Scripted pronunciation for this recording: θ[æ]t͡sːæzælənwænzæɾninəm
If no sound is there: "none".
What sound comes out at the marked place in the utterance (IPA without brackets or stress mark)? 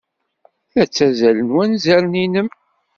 æ